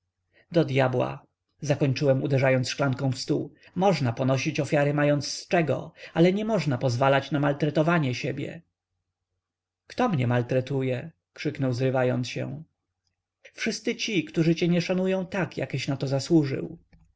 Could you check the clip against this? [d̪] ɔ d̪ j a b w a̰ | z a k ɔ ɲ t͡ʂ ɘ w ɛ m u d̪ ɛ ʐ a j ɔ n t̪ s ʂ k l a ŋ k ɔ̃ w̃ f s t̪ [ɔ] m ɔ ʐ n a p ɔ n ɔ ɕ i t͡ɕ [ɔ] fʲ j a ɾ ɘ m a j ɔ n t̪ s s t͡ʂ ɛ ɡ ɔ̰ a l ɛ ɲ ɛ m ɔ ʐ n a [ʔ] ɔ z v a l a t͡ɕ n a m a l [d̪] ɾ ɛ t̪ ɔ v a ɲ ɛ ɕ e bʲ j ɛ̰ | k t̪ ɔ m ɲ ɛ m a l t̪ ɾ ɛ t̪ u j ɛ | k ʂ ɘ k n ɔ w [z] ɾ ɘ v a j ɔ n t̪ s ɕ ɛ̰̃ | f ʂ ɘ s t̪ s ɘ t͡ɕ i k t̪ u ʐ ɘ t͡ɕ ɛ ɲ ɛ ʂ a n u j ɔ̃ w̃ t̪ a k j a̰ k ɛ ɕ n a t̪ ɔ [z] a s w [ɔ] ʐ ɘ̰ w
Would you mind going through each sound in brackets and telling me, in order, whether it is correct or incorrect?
correct, incorrect: u, correct, incorrect: p, incorrect: t̪, correct, correct, incorrect: u

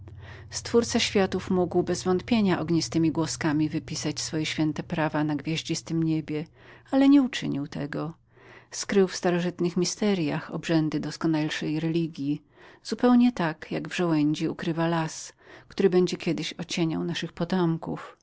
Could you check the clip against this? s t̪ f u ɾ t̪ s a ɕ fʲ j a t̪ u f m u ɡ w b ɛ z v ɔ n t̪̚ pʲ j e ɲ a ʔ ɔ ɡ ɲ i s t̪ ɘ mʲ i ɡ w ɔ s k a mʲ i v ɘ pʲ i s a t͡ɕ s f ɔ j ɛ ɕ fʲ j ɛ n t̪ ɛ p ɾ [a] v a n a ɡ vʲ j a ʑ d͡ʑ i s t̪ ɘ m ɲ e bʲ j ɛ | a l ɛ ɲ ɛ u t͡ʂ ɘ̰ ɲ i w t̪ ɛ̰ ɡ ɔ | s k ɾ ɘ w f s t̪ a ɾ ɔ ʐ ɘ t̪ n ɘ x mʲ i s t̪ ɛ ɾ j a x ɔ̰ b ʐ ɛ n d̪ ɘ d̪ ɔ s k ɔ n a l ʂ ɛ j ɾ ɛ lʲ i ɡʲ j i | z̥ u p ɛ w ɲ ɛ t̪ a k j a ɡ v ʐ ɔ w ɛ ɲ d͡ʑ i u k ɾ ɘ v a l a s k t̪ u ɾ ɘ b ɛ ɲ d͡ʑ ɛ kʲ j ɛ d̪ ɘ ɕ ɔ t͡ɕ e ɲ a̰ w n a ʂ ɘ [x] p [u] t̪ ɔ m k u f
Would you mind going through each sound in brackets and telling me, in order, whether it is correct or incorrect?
correct, correct, incorrect: ɔ

